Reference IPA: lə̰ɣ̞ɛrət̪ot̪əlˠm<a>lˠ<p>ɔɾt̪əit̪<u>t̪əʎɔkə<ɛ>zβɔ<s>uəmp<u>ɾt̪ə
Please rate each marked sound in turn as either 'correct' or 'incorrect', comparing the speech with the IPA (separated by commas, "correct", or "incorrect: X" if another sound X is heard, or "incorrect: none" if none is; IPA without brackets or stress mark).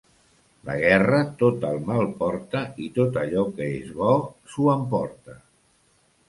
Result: correct, correct, incorrect: o, incorrect: e, correct, incorrect: ɔ